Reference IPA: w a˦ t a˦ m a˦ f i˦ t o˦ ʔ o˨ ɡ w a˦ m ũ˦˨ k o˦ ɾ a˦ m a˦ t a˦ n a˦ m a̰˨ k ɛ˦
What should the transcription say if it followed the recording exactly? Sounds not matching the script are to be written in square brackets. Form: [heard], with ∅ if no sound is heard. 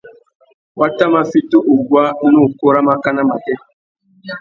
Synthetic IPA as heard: w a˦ t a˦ m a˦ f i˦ t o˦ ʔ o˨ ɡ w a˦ [n] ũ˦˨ k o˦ ɾ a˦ m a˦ [k] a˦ n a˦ m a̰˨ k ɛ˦